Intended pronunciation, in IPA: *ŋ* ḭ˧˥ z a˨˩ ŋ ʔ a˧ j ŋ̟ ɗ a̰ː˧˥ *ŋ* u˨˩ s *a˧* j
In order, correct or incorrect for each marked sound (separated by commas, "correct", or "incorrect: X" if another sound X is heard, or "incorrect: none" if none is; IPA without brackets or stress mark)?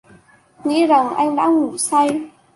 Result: correct, correct, correct